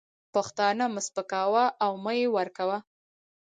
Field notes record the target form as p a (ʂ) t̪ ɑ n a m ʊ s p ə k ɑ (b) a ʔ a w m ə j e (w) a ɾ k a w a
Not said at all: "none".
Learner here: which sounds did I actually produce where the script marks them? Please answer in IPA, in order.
x, w, w

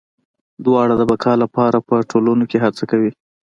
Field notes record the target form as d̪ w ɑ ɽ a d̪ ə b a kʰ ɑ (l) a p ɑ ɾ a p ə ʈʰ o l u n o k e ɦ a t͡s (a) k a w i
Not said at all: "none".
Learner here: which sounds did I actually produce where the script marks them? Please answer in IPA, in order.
l, a

